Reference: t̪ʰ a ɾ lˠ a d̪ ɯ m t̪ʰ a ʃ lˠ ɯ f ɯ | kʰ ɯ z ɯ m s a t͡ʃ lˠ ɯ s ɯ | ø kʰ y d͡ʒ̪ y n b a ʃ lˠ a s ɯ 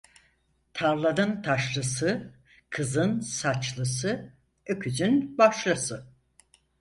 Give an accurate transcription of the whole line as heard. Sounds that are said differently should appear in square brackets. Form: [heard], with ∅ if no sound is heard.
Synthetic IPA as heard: t̪ʰ a ɾ lˠ a d̪ ɯ [n] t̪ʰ a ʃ lˠ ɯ [s] ɯ | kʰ ɯ z ɯ [n] s a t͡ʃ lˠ ɯ s ɯ | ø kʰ y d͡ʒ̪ y n b a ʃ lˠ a s ɯ